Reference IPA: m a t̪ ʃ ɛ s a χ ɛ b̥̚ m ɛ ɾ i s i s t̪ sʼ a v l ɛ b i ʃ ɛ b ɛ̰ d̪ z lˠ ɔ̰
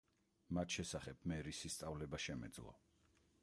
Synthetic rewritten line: m a t̪ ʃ ɛ s a χ ɛ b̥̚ m ɛ ɾ i s i s t̪ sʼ a v l ɛ b a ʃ ɛ m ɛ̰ d̪ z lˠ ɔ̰